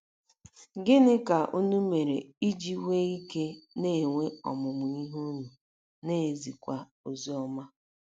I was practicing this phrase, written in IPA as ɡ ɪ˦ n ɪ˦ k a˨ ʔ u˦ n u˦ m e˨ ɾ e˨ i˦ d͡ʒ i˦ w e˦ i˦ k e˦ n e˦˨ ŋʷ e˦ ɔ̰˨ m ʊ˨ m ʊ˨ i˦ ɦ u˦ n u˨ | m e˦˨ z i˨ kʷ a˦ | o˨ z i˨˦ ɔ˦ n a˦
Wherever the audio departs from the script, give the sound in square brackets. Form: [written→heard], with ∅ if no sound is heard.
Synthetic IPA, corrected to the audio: ɡ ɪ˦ n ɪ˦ k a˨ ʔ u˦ n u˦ m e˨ ɾ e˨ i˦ d͡ʒ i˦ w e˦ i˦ k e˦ n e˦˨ ŋʷ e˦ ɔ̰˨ m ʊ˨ m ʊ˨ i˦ ɦ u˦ n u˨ | [m→n] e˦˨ z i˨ kʷ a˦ | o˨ z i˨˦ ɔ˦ [n→m] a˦